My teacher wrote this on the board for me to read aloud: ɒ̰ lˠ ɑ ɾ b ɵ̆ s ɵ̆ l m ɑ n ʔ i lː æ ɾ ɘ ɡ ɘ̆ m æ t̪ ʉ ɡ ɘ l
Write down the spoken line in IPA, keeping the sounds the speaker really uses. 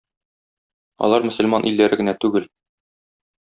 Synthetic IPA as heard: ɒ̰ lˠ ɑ ɾ m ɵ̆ s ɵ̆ l m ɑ n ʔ i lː æ ɾ ɘ ɡ ɘ̆ n æ t̪ ʉ ɡ ɘ l